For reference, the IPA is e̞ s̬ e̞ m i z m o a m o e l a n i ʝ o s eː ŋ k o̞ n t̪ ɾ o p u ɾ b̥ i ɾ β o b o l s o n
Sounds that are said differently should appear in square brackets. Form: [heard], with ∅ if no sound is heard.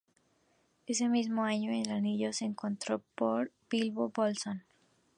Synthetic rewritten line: e̞ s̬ e̞ m i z m o a [ɲ] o e l a n i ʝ o s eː ŋ k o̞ n t̪ ɾ o p [o] ɾ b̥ i [l] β o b o l s o n